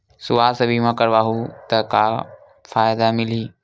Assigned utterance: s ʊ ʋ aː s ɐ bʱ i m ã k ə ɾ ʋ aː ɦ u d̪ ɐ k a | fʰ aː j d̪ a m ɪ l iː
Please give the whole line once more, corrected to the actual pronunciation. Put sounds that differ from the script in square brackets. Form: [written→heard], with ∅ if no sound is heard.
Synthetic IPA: s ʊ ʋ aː s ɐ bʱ i m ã k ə ɾ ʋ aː ɦ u [d̪→t̪] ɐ k a | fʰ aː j d̪ a m ɪ l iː